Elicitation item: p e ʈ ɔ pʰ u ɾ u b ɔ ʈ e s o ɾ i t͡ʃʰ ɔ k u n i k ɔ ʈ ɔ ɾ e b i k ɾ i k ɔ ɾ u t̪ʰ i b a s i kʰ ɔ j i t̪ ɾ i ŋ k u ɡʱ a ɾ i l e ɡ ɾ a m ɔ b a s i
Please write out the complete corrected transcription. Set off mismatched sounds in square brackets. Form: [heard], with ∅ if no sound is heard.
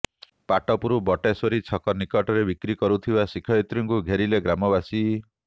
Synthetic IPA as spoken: p [a] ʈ ɔ [p] u ɾ u b ɔ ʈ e s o ɾ i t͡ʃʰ ɔ k [ɔ] n i k ɔ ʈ ɔ ɾ e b i k ɾ i k ɔ ɾ u t̪ʰ i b a s i kʰ ɔ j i t̪ ɾ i ŋ k u ɡʱ [e] ɾ i l e ɡ ɾ a m ɔ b a s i